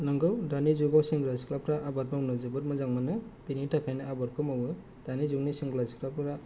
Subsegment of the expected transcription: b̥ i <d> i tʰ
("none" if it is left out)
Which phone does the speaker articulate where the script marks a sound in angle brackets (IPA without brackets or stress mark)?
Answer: n